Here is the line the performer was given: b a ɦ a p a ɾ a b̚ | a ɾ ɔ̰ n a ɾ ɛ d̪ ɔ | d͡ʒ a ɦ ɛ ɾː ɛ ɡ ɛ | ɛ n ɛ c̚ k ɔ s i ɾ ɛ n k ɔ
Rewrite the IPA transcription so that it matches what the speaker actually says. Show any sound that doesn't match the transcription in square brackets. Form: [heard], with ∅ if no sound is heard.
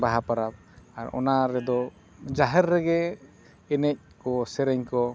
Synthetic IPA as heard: b a ɦ a p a ɾ a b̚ | a ɾ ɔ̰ n a ɾ ɛ d̪ ɔ | d͡ʒ a ɦ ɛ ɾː ɛ ɡ ɛ | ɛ n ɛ c̚ k ɔ s [ɛ] ɾ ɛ [ɲ] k ɔ